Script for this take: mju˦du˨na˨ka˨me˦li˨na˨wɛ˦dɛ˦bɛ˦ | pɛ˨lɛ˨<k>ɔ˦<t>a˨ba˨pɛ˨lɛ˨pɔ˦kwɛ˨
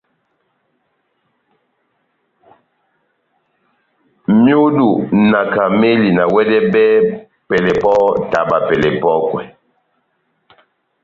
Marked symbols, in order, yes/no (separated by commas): no, yes